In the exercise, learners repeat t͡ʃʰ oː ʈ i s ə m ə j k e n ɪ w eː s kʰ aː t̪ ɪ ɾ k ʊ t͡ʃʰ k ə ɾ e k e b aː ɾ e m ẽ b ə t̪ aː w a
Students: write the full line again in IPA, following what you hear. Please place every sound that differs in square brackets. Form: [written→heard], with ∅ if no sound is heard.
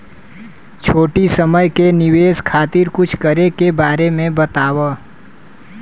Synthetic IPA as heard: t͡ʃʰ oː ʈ i s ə m ə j k e n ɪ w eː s kʰ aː t̪ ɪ ɾ k ʊ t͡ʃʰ k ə ɾ e k e b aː ɾ e m ẽ b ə t̪ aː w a